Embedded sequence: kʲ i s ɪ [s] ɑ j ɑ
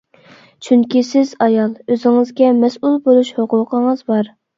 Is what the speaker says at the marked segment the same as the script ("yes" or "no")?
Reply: no